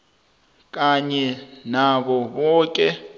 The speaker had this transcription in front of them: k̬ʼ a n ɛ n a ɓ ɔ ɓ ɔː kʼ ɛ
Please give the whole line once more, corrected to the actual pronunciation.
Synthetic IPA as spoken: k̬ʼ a ɲ ɛ n a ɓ ɔ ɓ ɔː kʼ ɛ